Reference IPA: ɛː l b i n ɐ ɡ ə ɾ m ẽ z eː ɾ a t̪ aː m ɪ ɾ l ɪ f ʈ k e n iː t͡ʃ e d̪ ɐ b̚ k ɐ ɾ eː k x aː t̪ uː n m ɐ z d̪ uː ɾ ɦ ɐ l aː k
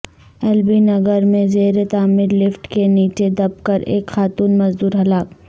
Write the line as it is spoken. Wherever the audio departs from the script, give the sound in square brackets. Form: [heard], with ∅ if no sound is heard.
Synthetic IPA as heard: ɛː l b i n ɐ ɡ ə ɾ m ẽ z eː ɾ [e] t̪ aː m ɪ ɾ l ɪ f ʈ k e n iː t͡ʃ e d̪ ɐ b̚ k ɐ ɾ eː k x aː t̪ uː n m ɐ z d̪ uː ɾ ɦ ɐ l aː k

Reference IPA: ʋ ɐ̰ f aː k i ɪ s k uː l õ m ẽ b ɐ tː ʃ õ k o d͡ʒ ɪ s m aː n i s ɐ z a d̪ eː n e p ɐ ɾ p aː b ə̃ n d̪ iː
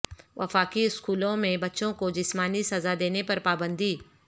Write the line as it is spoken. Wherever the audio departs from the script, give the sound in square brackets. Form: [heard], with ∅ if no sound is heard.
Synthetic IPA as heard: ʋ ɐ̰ f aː k i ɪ s k uː l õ m ẽ b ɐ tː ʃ õ k o d͡ʒ ɪ s m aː n i s ɐ z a d̪ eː n e p ɐ ɾ p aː b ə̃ n d̪ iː

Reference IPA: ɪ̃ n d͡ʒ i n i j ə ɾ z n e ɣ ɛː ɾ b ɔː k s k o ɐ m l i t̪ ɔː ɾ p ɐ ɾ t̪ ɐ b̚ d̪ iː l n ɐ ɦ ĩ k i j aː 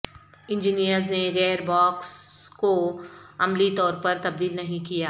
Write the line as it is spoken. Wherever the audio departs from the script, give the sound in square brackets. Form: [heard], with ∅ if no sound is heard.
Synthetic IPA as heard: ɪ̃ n d͡ʒ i n i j ə ɾ z n e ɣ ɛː ɾ b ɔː k s k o ɐ m l i t̪ ɔː ɾ p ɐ ɾ t̪ ɐ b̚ d̪ iː l n ɐ ɦ ĩ k i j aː

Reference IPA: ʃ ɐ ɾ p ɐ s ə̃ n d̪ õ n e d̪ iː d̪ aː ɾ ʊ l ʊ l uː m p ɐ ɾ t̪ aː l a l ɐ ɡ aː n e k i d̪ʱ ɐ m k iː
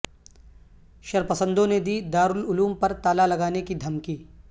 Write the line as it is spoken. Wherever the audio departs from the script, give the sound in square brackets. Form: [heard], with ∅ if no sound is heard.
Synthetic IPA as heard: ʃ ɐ ɾ p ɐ s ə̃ n d̪ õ n e d̪ iː d̪ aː ɾ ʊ l ʊ l uː m p ɐ ɾ t̪ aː l a l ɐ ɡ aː n e k i d̪ʱ ɐ m k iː

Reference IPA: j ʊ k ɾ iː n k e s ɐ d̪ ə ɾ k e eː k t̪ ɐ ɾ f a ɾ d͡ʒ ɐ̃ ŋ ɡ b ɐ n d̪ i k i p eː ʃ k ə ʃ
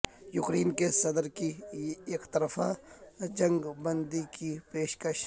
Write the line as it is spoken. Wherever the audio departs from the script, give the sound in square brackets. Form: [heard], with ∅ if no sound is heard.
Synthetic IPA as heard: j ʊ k ɾ iː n k e s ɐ d̪ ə ɾ k [i] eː k t̪ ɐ ɾ f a [∅] d͡ʒ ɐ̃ ŋ ɡ b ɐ n d̪ i k i p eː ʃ k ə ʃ

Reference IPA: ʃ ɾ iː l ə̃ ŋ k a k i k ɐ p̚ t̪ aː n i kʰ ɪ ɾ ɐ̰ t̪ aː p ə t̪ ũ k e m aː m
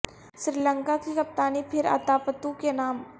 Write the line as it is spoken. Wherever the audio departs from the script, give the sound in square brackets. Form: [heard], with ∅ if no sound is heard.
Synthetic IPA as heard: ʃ ɾ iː l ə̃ ŋ k a k i k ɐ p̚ t̪ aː n i [pʰ] ɪ ɾ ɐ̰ t̪ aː p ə t̪ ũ k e [n] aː m

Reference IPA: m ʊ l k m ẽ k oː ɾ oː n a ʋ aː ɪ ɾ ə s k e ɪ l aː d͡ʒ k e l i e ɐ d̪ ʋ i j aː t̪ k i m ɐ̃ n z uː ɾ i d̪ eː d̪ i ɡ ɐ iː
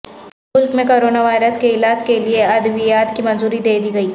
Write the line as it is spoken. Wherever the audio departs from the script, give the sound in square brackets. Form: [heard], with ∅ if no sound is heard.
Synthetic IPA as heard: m ʊ l k m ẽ k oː ɾ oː n a ʋ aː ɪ ɾ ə s k e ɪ l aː d͡ʒ k e l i e ɐ d̪ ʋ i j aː t̪ k i m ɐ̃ n z uː ɾ i d̪ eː d̪ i ɡ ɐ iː

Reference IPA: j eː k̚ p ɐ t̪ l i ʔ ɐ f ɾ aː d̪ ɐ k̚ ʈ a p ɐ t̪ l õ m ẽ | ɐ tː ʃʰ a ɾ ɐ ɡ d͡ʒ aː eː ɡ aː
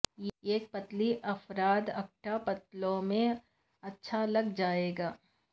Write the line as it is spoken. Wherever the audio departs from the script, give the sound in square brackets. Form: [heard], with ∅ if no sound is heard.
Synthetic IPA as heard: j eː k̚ p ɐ t̪ l i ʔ ɐ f ɾ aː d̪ ɐ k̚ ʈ a p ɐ t̪ l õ m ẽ | ɐ tː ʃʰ a [l] ɐ ɡ d͡ʒ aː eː ɡ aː

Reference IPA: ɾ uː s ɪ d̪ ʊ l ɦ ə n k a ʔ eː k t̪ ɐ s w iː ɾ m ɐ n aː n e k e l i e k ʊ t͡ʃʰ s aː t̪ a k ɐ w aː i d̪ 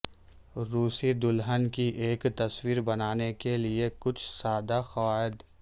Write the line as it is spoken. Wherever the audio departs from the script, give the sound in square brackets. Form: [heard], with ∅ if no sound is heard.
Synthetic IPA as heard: ɾ uː s [i] d̪ ʊ l ɦ ə n k [i] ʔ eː k t̪ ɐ s w iː ɾ [b] ɐ n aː n e k e l i e k ʊ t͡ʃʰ s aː [d̪] a [x] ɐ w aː [ɪ] d̪

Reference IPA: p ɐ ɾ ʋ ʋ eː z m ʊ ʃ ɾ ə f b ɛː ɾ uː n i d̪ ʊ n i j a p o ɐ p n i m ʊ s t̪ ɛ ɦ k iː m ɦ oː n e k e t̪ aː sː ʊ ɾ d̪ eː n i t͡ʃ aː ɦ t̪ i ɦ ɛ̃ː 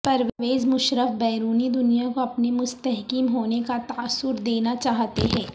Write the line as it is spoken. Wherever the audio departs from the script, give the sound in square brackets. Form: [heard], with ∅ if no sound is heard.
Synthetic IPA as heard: p ɐ ɾ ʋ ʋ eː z m ʊ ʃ ɾ ə f b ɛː ɾ uː n i d̪ ʊ n i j a [k] o ɐ p n i m ʊ s t̪ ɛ ɦ k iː m ɦ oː n e k [a] t̪ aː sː ʊ ɾ d̪ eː n [a] t͡ʃ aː ɦ t̪ [e] ɦ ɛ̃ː

